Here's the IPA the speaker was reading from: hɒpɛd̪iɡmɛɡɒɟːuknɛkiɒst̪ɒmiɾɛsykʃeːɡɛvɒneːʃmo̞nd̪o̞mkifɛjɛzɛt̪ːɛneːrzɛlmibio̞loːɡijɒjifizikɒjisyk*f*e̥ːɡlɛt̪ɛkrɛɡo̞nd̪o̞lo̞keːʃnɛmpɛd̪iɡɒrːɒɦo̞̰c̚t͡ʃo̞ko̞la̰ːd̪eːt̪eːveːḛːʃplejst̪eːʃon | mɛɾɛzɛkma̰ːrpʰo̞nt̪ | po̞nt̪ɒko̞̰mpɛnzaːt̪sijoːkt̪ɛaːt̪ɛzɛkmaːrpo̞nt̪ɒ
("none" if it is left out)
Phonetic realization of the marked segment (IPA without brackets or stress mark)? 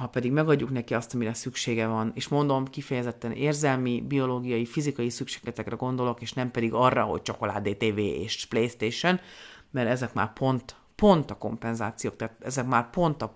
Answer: ʃ